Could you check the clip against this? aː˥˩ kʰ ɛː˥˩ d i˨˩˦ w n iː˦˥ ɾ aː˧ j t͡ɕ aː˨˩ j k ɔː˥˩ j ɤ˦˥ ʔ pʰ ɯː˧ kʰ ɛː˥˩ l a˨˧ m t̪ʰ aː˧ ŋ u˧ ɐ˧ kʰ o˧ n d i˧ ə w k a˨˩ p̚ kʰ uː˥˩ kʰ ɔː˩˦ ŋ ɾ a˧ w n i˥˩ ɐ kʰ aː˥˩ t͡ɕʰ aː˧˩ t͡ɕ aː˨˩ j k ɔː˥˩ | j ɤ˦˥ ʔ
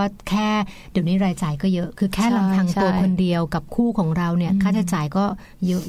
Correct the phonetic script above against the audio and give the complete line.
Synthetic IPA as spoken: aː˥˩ kʰ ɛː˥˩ d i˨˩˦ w n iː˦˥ ɾ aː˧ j t͡ɕ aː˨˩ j k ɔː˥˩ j ɤ˦˥ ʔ kʰ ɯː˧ kʰ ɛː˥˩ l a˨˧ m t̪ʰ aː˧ ŋ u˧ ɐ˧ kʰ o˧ n d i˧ ə w k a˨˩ p̚ kʰ uː˥˩ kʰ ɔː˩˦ ŋ ɾ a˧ w n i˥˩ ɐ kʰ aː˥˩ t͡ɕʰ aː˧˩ t͡ɕ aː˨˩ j k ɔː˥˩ | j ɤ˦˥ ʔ